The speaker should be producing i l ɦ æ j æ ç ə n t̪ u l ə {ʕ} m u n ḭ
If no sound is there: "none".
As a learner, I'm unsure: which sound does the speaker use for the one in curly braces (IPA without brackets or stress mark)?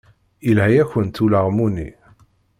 ʁ